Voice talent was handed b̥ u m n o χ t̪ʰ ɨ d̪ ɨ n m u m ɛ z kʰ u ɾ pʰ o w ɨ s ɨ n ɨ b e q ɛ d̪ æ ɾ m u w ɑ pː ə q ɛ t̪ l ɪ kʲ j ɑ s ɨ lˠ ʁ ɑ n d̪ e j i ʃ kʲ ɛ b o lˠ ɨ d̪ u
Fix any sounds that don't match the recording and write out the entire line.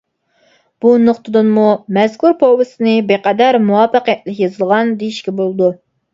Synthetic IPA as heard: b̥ u n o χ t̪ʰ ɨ d̪ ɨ n m u m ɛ z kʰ u ɾ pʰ o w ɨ s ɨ n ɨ b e q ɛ d̪ æ ɾ m u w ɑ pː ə q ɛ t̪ l ɪ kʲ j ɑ z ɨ lˠ ʁ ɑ n d̪ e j i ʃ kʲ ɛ b o lˠ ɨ d̪ u